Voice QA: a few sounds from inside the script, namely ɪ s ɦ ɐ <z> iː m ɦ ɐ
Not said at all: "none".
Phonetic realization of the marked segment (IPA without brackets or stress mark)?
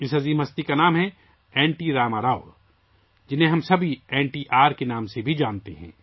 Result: z